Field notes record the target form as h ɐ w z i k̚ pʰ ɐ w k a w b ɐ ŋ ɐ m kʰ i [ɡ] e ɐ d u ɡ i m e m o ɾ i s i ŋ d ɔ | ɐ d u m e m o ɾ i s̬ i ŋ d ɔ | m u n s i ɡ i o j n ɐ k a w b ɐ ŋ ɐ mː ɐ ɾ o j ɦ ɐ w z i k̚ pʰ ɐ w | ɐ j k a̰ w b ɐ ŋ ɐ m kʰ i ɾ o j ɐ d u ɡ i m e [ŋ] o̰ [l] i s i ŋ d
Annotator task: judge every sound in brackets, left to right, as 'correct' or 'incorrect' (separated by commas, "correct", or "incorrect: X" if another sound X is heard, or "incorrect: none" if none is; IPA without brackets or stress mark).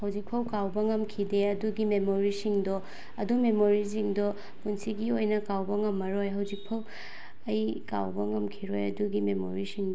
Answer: incorrect: d, incorrect: m, incorrect: ɾ